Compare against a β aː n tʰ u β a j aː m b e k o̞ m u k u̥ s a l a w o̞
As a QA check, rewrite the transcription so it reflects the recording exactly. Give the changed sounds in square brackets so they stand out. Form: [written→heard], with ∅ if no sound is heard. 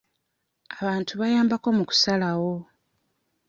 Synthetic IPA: a β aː n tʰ u β a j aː m b [e→a] k o̞ m u k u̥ s a l a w o̞